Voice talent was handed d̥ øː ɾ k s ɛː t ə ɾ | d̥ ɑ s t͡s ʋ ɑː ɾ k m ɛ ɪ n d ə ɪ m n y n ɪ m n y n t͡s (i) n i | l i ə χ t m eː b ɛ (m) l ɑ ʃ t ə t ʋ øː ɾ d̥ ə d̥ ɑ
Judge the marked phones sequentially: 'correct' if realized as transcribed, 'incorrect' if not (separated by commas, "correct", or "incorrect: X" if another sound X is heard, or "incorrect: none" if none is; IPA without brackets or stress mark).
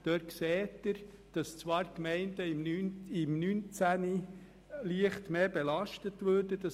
incorrect: æ, incorrect: none